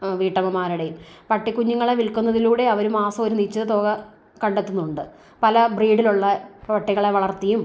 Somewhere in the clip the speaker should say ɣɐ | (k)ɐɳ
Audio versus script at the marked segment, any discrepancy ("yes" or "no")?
no